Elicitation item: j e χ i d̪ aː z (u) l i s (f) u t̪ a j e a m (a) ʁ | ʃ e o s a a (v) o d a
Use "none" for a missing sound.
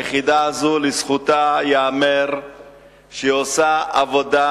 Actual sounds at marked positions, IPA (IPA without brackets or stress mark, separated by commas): u, χ, e, v